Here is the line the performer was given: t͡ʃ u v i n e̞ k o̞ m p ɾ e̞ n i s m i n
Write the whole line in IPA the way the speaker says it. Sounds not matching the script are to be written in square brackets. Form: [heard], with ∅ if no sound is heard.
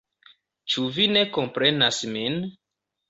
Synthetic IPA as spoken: t͡ʃ u v i n e̞ k o̞ m p ɾ e̞ n [a] s m i n